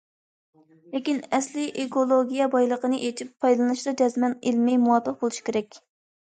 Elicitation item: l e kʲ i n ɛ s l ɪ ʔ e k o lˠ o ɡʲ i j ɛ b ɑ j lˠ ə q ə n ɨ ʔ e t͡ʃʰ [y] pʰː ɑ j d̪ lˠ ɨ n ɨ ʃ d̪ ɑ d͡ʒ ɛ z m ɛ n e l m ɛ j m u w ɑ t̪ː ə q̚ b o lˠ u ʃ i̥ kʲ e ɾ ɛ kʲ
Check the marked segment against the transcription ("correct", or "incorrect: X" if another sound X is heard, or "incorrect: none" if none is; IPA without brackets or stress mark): incorrect: i